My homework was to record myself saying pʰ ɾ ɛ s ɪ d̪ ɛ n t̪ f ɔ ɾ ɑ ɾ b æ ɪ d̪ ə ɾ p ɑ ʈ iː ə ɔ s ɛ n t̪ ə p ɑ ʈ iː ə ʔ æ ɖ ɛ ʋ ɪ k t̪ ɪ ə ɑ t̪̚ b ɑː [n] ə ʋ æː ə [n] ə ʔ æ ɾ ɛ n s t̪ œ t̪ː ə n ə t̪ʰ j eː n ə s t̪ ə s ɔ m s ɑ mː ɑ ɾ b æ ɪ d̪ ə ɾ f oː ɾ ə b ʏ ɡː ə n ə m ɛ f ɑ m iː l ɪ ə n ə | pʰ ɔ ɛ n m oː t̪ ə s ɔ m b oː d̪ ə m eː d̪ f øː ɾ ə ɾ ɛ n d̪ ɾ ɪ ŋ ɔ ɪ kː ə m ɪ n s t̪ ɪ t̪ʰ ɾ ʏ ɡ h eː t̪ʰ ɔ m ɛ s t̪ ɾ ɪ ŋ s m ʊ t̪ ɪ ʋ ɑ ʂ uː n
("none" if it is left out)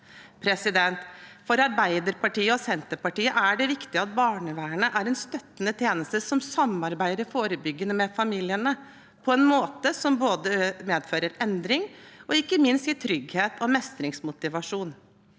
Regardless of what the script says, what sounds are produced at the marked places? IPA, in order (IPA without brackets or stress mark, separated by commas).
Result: ɳ, ɳ